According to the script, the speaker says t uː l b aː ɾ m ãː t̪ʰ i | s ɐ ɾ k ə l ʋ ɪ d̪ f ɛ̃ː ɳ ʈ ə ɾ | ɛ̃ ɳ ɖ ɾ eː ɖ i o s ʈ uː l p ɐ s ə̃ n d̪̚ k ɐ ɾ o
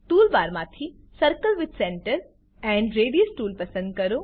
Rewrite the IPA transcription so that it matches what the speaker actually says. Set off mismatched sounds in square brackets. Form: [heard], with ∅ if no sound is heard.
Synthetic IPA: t uː l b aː ɾ m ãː t̪ʰ i | s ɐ ɾ k ə l ʋ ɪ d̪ [s] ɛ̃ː ɳ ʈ ə ɾ | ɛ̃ ɳ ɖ ɾ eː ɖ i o s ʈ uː l p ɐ s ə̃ n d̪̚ k ɐ ɾ o